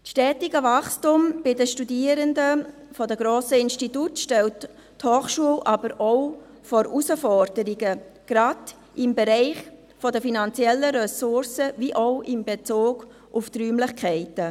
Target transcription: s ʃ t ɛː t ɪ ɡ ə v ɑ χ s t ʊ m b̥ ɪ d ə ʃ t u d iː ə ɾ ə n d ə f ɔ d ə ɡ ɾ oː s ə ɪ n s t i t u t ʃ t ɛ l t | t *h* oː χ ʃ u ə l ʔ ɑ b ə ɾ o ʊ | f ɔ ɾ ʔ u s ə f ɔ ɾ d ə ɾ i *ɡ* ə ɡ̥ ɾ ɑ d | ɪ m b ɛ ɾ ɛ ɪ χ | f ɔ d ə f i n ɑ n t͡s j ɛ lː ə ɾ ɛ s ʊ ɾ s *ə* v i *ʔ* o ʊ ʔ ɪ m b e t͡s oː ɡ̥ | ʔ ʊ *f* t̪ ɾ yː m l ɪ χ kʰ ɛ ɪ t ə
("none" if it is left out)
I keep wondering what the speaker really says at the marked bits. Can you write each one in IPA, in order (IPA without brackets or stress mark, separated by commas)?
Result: h, ɡ, ə, ʔ, f